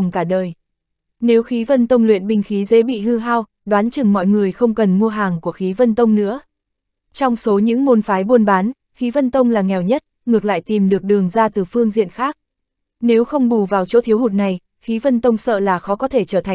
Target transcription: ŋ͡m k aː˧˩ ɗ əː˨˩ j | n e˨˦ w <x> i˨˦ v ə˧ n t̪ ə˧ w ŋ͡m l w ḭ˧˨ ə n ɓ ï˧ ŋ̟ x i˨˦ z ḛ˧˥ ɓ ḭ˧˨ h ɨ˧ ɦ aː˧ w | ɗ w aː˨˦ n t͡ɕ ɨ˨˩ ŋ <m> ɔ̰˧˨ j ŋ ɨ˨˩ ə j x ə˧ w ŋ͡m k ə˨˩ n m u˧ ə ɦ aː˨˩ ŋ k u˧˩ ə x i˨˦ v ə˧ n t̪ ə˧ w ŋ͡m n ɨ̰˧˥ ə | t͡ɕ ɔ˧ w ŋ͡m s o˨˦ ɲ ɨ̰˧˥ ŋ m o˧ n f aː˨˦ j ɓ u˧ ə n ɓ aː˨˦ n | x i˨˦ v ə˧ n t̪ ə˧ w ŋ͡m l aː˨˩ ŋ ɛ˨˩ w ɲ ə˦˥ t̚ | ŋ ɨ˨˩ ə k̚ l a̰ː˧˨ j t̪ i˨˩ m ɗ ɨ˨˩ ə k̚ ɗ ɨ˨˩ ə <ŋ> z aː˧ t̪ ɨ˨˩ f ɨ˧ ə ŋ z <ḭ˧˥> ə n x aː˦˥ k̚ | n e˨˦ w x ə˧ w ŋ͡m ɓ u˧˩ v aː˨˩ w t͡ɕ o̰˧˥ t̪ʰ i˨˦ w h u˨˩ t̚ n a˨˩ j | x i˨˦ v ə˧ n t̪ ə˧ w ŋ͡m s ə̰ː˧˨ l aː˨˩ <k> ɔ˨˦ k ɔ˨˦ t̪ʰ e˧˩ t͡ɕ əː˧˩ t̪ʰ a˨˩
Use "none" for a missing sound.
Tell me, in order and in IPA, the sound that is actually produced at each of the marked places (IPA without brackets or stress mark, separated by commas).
x, m, ŋ, ḭ˧˨, x